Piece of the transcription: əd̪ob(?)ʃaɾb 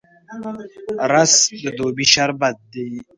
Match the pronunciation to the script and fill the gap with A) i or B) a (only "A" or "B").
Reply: A